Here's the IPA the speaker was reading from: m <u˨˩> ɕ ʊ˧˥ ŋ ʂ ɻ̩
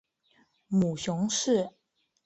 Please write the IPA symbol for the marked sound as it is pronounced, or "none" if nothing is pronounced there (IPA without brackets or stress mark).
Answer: u˨˩